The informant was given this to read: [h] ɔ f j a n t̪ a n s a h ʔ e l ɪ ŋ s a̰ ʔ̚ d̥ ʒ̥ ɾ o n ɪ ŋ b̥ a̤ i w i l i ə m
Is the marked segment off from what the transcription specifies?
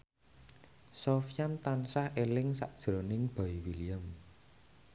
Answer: yes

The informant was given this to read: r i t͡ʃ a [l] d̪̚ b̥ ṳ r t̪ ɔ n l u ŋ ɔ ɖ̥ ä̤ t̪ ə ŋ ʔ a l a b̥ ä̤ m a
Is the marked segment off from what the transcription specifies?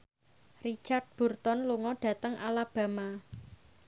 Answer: yes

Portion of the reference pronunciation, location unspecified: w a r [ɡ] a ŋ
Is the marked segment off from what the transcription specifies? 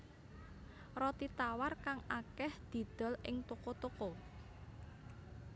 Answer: yes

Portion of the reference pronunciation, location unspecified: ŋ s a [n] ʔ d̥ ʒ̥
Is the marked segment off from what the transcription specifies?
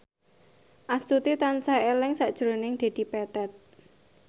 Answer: yes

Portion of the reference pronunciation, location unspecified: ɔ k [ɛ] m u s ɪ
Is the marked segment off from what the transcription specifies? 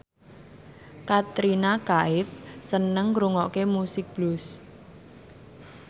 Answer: yes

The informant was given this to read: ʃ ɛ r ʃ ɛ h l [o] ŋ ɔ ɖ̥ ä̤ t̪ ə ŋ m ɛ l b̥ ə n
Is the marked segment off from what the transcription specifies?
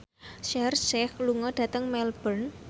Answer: yes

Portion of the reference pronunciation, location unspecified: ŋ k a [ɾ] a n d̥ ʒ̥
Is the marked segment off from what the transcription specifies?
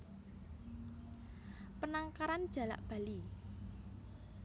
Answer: no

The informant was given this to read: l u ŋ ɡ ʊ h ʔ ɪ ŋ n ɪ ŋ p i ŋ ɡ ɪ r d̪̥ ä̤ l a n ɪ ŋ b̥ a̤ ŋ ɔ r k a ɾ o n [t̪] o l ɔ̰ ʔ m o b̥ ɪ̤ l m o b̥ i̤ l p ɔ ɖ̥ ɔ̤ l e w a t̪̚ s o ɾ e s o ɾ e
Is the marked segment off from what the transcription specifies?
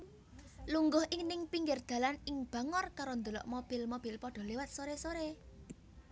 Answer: yes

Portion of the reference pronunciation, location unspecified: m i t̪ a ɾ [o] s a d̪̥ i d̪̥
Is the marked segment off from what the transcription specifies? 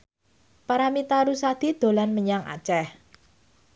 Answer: yes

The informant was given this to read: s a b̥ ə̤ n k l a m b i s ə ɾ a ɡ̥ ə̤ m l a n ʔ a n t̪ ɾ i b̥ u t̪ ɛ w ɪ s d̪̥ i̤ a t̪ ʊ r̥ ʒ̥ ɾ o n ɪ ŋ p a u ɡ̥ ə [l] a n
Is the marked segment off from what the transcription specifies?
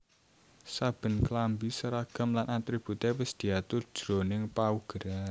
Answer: yes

